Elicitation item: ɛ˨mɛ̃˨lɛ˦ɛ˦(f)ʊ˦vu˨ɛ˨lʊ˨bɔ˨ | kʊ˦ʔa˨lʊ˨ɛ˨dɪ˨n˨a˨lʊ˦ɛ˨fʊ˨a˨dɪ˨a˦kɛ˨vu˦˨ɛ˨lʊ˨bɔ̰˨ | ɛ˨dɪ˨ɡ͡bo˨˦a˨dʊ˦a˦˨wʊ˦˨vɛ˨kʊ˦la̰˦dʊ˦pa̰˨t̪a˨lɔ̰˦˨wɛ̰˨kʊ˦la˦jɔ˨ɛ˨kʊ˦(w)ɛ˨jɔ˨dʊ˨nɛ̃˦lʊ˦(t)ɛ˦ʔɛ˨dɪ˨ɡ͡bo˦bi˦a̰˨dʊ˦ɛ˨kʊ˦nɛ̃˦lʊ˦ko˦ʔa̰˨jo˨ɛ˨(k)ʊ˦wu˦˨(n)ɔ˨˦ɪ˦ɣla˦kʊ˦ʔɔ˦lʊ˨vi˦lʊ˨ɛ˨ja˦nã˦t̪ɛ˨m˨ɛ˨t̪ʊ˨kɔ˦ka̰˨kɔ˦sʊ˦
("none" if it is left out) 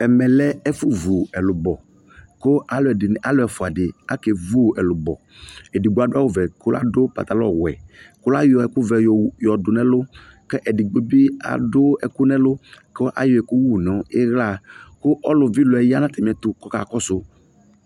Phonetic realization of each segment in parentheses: f, v, k, k, n

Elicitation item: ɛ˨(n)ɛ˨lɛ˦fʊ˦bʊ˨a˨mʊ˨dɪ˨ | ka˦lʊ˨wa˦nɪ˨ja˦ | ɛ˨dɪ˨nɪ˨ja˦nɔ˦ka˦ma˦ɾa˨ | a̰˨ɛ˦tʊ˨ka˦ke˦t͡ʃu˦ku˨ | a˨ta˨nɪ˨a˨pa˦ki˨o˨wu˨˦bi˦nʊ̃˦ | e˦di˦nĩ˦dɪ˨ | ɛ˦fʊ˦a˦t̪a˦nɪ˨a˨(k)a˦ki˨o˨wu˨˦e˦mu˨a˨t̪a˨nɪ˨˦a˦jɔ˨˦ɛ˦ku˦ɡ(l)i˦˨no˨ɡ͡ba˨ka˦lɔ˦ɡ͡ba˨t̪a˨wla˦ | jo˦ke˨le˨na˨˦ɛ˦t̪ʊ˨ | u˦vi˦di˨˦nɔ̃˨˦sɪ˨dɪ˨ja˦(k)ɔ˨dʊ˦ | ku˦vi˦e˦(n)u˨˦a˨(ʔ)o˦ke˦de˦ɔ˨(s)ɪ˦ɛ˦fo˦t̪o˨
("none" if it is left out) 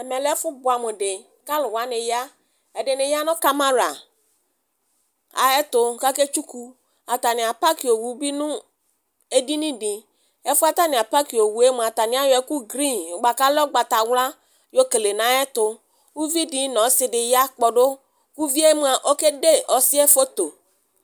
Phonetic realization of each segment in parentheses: m, p, ɾ, k͡p, m, ʔ, s

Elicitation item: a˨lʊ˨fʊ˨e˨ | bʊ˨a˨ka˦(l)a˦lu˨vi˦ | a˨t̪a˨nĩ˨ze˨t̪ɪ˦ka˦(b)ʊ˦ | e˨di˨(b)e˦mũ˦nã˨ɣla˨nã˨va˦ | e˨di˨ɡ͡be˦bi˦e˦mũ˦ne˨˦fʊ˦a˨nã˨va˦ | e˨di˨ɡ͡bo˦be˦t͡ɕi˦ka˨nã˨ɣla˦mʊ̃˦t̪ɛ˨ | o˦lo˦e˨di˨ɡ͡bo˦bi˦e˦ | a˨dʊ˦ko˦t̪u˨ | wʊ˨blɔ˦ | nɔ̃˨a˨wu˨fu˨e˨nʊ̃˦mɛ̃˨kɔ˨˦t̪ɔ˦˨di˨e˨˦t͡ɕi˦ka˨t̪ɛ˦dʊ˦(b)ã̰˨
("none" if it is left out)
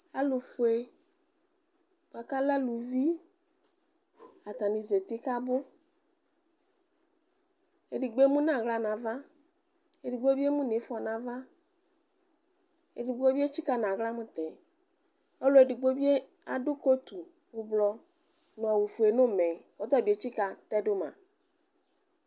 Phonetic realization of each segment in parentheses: l, b, ɡ͡b, m

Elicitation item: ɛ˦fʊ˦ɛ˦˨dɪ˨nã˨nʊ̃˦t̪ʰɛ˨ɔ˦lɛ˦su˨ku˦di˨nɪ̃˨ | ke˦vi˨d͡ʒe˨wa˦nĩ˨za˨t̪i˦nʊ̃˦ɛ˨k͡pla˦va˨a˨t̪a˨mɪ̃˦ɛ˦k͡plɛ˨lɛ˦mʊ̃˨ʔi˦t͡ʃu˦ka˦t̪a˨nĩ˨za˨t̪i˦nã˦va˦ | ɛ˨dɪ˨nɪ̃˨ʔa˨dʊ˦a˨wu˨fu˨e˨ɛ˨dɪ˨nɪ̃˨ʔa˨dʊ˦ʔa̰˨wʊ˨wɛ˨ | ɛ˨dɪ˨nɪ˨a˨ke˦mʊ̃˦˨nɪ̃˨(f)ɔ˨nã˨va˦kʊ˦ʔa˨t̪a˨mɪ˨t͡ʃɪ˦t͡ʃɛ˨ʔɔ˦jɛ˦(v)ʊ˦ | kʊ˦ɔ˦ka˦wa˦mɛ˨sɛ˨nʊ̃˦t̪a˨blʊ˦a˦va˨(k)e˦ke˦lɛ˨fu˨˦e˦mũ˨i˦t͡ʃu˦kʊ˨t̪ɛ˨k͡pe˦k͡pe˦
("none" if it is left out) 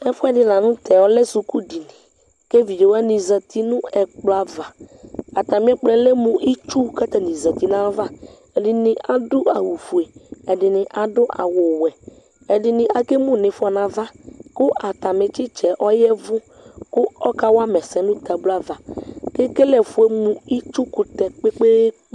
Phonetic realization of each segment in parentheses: f, v, k

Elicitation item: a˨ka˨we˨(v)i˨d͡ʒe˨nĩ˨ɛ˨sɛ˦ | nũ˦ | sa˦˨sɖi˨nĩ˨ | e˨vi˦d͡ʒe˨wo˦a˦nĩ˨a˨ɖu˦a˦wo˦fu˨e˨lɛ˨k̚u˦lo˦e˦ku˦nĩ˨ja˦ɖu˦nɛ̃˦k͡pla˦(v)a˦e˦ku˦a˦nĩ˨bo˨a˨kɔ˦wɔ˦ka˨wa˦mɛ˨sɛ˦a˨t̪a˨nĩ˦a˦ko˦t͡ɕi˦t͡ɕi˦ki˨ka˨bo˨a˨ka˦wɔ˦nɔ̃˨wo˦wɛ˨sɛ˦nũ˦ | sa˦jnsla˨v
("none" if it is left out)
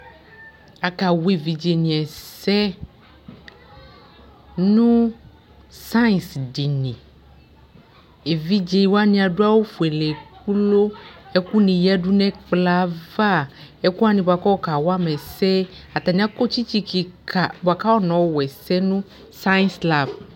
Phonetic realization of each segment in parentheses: v, v

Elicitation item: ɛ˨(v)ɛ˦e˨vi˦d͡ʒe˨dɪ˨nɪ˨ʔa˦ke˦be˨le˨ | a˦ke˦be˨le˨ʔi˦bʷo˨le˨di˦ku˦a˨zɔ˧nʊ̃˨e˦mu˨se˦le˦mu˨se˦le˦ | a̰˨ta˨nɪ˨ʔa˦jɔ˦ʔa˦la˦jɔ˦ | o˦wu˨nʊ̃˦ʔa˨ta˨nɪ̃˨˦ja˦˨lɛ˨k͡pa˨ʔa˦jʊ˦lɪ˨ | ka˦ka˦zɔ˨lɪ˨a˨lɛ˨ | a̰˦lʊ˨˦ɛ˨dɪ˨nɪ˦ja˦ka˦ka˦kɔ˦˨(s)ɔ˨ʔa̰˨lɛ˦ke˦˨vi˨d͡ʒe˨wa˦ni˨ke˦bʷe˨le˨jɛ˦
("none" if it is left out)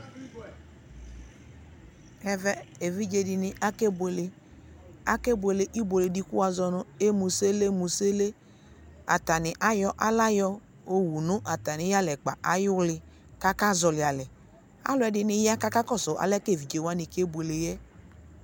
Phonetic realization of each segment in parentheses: v, s

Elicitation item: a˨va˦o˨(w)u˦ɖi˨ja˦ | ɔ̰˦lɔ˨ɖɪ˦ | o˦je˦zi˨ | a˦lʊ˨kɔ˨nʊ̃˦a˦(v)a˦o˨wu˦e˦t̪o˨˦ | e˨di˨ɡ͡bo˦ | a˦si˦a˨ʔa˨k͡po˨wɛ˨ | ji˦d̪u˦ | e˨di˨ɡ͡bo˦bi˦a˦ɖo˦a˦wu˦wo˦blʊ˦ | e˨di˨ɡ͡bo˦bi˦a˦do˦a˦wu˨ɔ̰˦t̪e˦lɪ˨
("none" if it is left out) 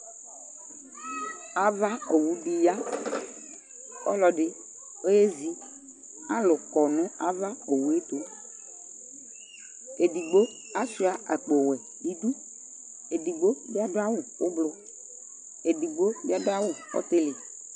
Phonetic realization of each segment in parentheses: w, v

